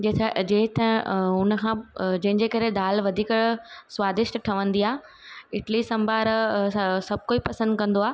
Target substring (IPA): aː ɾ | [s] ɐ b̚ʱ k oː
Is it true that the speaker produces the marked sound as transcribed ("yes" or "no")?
yes